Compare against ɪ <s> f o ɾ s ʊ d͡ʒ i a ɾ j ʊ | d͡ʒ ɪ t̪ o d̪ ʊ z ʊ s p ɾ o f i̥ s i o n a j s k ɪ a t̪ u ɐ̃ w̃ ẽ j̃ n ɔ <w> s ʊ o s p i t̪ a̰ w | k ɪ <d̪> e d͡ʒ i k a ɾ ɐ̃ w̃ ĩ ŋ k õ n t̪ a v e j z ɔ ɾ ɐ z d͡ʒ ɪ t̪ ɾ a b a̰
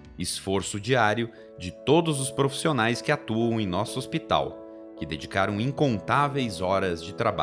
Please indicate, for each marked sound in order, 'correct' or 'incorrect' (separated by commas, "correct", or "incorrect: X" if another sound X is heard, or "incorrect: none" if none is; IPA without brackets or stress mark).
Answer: correct, incorrect: none, correct